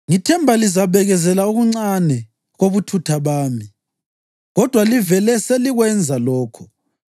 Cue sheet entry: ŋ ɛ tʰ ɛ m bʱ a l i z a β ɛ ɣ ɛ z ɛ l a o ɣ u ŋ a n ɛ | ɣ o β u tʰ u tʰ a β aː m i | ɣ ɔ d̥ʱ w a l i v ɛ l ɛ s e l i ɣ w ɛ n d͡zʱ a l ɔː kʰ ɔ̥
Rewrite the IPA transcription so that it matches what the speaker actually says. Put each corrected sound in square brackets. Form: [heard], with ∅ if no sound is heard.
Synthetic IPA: ŋ [i] tʰ ɛ m bʱ a l i z a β ɛ ɣ ɛ z ɛ l a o ɣ u [ŋ͡ǀ] a n ɛ | ɣ o β u tʰ u tʰ a β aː m i | ɣ ɔ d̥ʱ w a l i v ɛ l ɛ s e l i ɣ w ɛ n d͡zʱ a l ɔː kʰ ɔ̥